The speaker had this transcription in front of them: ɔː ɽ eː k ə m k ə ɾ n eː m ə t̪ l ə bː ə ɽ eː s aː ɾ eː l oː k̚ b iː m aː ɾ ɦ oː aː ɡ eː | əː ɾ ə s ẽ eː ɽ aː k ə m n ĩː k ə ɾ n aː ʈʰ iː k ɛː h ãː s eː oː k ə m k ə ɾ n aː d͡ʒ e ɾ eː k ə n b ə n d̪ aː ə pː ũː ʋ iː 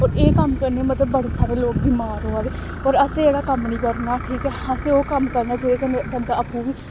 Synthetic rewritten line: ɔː ɾ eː k ə m k ə ɾ n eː m ə t̪ l ə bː ə ɽ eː s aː ɾ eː l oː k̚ b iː m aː ɾ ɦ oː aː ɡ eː | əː ɾ ə s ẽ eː ɽ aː k ə m n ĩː k ə ɾ n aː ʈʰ iː k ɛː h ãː s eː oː k ə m k ə ɾ n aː d͡ʒ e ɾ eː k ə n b ə n d̪ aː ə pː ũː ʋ iː

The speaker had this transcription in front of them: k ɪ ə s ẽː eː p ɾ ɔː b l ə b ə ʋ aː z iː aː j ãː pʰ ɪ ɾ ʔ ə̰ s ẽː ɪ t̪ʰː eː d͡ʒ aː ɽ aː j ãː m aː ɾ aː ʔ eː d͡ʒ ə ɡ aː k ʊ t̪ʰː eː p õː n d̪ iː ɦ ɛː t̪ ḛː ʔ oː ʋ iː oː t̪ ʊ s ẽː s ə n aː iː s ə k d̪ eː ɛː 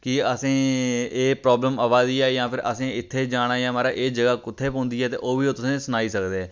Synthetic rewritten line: k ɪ ə s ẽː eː p ɾ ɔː b l ə m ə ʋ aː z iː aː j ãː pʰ ɪ ɾ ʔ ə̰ s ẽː ɪ t̪ʰː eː d͡ʒ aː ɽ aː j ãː m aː ɾ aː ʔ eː d͡ʒ ə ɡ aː k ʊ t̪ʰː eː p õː n d̪ iː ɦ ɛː t̪ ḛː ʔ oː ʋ iː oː t̪ ʊ s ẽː s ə n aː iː s ə k d̪ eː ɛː

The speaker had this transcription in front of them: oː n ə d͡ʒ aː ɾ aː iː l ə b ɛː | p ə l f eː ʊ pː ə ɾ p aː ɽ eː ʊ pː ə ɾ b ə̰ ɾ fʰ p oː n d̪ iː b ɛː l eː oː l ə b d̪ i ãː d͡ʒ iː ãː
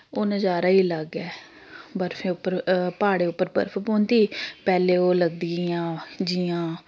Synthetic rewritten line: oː n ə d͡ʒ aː ɾ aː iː l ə ɡ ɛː | b ə ɾ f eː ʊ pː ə ɾ p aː ɽ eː ʊ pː ə ɾ b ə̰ ɾ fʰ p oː n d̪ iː p ɛː l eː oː l ə ɡ d̪ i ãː d͡ʒ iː ãː

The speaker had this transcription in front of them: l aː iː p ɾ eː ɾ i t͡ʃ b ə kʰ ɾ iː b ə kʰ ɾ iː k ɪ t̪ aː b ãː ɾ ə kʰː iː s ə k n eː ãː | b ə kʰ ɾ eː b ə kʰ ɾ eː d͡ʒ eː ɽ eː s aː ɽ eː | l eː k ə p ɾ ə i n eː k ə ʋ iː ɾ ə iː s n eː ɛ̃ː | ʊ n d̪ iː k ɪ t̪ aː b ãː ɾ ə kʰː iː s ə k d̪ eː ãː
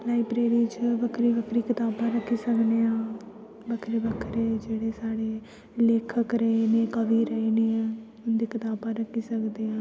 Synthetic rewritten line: l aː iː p ɾ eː ɾ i t͡ʃ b ə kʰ ɾ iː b ə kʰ ɾ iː k ɪ t̪ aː b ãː ɾ ə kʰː iː s ə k n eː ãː | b ə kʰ ɾ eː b ə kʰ ɾ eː d͡ʒ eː ɽ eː s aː ɽ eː | l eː kʰ ə k ɾ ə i n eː k ə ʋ iː ɾ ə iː n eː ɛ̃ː | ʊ n d̪ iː k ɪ t̪ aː b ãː ɾ ə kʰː iː s ə k d̪ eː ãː

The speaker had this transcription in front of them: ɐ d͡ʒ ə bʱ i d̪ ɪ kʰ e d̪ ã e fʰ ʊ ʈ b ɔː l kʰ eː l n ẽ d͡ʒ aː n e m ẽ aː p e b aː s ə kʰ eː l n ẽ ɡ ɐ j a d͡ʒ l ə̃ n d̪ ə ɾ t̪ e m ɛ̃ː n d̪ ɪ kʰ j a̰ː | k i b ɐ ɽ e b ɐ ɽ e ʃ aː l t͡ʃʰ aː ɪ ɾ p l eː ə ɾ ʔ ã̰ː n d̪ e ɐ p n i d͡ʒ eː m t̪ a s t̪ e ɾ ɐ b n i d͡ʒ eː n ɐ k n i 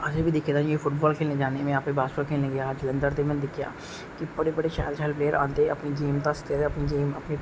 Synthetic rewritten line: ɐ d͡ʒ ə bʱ i d̪ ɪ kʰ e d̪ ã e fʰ ʊ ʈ b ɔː l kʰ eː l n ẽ d͡ʒ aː n e m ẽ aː p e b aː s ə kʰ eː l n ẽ ɡ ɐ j a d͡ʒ l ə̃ n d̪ ə ɾ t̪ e m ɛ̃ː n d̪ ɪ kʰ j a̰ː | k i b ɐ ɽ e b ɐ ɽ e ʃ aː l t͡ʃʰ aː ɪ l p l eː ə ɾ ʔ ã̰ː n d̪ e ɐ p n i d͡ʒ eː m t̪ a s t̪ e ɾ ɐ p n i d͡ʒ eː m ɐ p n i

